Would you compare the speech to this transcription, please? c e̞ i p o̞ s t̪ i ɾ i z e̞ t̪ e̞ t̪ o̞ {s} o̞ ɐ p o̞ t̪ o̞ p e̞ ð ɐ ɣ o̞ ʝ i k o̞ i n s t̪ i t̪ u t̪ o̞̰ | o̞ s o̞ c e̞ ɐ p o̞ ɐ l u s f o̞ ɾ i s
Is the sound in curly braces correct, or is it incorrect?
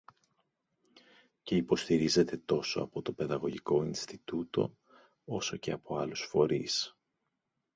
correct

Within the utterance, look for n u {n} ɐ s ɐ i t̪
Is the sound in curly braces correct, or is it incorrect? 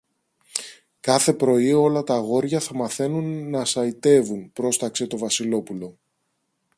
incorrect: nː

